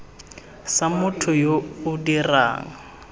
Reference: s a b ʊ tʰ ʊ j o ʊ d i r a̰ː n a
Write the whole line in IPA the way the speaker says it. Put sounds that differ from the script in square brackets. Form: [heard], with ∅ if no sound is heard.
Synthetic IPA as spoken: s a [m] ʊ tʰ ʊ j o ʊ d i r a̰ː [ŋ] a